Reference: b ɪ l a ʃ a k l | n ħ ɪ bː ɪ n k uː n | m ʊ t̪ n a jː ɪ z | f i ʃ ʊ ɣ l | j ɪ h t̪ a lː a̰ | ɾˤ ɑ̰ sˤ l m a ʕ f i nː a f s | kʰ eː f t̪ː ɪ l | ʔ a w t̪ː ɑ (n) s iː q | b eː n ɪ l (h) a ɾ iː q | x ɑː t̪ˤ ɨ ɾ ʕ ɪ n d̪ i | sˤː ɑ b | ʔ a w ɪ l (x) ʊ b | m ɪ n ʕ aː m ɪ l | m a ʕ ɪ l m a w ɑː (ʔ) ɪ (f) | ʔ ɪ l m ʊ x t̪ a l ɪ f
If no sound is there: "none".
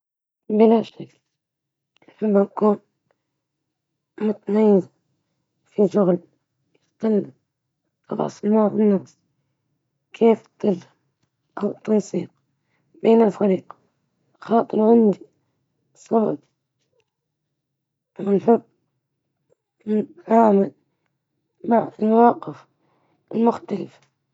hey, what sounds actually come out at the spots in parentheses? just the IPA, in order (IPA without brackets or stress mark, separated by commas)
n, f, ħ, q, f